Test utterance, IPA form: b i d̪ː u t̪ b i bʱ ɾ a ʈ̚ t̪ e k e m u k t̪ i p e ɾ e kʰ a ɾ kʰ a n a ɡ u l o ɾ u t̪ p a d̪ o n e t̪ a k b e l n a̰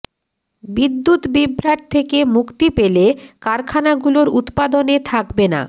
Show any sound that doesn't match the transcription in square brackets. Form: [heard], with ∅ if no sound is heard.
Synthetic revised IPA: b i d̪ː u t̪ b i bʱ ɾ a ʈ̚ [t̪ʰ] e k e m u k t̪ i p e [l] e [k] a ɾ kʰ a n a ɡ u l o ɾ u t̪ p a d̪ o n e [t̪ʰ] a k b e [∅] n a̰

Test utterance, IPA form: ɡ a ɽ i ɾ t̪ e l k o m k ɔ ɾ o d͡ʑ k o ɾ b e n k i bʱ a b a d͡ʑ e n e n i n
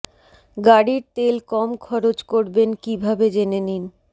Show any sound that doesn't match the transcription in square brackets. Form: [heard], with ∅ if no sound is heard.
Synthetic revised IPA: ɡ a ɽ i ɾ t̪ e l k [ɔ] m [kʰ] ɔ ɾ o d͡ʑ k o ɾ b e n k i bʱ a b [e] d͡ʑ e n e n i n

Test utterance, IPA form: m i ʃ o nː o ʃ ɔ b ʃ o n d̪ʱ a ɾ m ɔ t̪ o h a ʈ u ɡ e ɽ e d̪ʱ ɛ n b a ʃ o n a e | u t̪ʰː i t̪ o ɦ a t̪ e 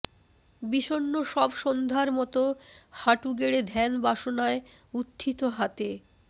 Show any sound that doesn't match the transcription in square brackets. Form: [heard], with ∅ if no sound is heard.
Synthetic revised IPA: [b] i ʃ o nː o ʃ ɔ b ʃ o n d̪ʱ a ɾ m ɔ t̪ o h a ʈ u ɡ e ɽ e d̪ʱ ɛ n b a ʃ o n a e | u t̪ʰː i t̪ o ɦ a t̪ e

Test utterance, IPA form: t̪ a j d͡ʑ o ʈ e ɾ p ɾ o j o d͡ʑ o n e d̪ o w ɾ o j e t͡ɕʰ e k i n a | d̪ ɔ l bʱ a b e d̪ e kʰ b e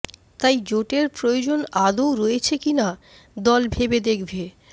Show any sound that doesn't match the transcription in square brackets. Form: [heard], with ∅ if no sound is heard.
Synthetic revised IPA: t̪ a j d͡ʑ o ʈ e ɾ p ɾ o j o d͡ʑ o n [a] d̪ o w ɾ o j e t͡ɕʰ e k i n a | d̪ ɔ l bʱ [e] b e d̪ e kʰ b e

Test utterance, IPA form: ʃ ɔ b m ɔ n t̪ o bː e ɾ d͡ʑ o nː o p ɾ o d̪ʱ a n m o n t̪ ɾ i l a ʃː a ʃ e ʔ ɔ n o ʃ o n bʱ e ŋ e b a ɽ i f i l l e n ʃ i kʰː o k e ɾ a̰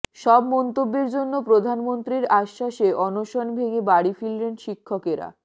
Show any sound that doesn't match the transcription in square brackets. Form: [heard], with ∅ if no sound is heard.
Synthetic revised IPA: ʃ ɔ b m ɔ n t̪ o bː e ɾ d͡ʑ o nː o p ɾ o d̪ʱ a n m o n t̪ ɾ i [ɾ] a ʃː a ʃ e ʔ ɔ n o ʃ o n bʱ e ŋ e b a ɽ i f i l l e n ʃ i kʰː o k e ɾ a̰

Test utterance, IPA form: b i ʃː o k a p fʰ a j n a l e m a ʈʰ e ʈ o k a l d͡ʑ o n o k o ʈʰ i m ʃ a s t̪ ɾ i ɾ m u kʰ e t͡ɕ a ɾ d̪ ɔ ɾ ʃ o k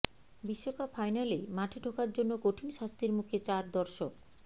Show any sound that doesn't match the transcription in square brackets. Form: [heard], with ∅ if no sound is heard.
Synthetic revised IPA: b i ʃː o k a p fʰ a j n a l e m a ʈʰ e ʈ o k a [ɾ] d͡ʑ o [nː] o k o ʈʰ i [n] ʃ a s t̪ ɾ i ɾ m u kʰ e t͡ɕ a ɾ d̪ ɔ ɾ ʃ o k

